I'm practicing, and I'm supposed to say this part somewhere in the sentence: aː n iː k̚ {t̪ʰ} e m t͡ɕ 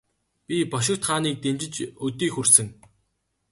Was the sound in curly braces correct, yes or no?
no